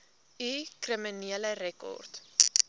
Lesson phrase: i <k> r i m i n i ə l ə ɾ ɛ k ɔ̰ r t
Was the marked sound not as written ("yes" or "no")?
no